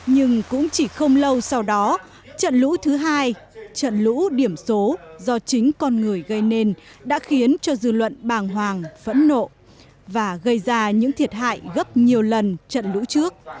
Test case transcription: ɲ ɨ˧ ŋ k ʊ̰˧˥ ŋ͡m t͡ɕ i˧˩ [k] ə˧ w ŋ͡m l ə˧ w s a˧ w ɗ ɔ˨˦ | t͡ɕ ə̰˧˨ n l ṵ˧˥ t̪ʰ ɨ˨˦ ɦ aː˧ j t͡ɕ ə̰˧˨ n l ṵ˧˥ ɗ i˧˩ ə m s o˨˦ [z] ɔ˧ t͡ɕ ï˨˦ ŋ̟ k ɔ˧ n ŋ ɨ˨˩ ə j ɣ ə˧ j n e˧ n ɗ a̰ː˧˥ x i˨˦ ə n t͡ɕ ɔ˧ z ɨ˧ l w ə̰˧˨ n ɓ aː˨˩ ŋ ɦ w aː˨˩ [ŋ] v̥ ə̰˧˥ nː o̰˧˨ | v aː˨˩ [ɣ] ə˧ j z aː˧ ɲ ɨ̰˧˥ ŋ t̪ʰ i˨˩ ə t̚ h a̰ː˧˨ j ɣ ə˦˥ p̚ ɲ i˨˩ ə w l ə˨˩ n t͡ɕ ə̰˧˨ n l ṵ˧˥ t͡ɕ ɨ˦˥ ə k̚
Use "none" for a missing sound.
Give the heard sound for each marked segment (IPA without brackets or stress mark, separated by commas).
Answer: x, z, ŋ, ɣ